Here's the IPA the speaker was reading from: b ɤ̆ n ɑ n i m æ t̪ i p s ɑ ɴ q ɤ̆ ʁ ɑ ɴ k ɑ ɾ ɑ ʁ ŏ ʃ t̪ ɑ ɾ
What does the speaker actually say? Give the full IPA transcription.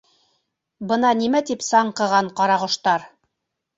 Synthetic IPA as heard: b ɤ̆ n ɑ n i m æ t̪ i p s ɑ ɴ q ɤ̆ ʁ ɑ ɴ q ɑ ɾ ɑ ʁ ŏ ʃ t̪ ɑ ɾ